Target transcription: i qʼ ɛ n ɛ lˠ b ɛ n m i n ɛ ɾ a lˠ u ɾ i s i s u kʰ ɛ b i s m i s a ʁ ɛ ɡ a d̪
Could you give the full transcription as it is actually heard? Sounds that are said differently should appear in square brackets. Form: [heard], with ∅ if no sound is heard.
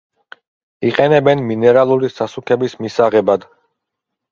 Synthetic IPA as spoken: i qʼ ɛ n ɛ [∅] b ɛ n m i n ɛ ɾ a lˠ u ɾ i s [a] s u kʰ ɛ b i s m i s a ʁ ɛ [b] a d̪